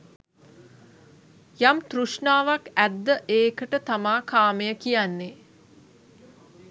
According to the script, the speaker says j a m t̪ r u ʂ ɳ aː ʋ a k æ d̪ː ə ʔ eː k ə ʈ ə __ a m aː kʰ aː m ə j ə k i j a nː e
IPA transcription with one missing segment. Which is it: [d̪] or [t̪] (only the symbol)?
t̪